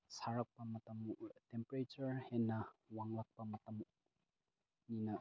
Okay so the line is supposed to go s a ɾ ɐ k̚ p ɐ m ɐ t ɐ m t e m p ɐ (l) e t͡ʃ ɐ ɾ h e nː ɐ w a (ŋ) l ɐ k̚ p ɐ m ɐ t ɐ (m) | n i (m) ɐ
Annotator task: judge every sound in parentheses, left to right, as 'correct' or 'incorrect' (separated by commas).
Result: incorrect, correct, correct, incorrect